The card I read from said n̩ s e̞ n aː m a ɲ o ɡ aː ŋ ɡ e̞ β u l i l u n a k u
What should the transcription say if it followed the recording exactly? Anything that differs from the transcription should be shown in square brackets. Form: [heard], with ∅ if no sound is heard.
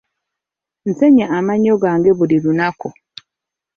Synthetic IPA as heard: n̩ s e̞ [ɲ] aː m a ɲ o ɡ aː ŋ ɡ e̞ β u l i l u n a k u